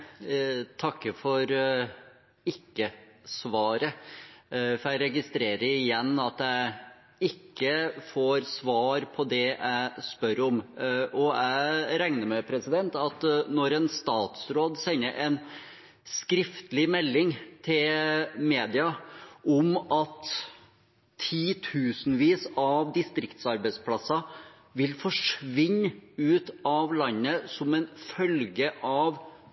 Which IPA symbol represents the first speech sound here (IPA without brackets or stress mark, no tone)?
t̪ʰ